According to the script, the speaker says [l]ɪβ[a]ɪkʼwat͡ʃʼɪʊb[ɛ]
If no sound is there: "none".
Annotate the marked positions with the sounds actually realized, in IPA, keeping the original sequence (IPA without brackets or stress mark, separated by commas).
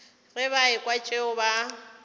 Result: r, a, a